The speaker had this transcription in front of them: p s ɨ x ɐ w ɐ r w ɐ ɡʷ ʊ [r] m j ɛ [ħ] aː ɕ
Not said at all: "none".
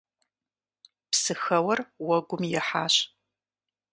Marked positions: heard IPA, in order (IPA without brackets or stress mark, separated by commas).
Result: none, ħ